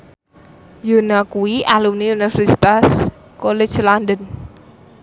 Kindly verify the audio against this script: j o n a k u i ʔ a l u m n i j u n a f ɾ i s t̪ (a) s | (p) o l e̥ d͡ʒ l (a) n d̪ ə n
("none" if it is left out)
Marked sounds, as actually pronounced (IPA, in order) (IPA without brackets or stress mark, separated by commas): a, k, a